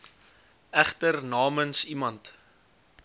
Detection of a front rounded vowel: absent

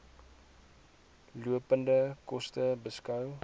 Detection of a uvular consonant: absent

